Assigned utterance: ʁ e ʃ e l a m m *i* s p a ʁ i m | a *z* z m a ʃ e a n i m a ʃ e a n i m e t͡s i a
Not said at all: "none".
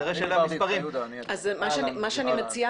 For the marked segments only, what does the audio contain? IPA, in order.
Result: i, z

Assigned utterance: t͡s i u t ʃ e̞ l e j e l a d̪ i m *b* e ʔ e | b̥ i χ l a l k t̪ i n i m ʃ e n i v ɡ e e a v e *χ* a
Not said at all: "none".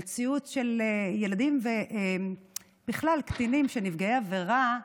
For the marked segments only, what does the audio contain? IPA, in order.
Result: v, ʁ

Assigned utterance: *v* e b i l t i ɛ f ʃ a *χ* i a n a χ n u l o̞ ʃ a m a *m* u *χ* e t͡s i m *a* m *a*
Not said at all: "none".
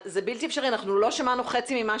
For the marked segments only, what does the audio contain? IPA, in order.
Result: z, ʁ, n, χ, i, a

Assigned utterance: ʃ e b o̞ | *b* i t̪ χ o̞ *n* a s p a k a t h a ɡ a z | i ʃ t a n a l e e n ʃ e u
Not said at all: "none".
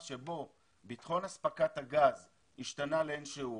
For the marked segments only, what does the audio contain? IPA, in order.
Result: b, n

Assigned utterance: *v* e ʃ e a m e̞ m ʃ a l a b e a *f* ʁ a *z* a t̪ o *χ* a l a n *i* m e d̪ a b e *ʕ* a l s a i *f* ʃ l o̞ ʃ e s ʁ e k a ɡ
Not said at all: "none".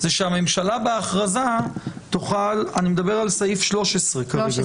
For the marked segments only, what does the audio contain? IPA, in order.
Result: z, χ, z, χ, i, ʁ, f

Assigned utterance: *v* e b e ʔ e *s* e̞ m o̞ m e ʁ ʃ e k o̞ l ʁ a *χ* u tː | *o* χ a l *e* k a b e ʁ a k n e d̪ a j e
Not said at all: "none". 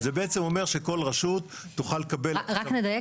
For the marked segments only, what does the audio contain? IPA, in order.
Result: z, t͡s, ʃ, u, e

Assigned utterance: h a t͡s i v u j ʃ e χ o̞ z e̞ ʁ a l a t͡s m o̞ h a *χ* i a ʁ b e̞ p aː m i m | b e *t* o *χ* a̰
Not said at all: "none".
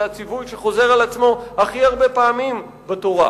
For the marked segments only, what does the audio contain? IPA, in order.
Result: χ, t, ʁ

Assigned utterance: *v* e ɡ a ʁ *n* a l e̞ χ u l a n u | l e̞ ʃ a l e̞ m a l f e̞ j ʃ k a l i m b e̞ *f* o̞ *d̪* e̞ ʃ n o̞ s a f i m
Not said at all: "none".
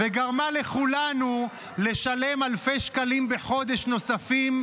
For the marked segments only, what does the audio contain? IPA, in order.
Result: v, m, χ, d̪

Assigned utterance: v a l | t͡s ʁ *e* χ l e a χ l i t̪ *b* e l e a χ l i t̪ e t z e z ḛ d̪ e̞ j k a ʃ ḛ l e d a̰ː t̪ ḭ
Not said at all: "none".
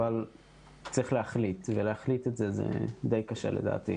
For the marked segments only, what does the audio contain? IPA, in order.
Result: i, v

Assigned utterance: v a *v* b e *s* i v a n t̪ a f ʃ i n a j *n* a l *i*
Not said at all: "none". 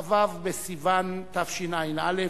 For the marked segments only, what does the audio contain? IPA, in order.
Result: v, s, n, e

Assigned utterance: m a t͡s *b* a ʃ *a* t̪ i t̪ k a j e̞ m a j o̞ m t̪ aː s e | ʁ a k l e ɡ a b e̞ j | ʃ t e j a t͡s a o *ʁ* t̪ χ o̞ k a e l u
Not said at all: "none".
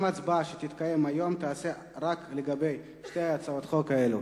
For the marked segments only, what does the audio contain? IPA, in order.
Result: b, e, none

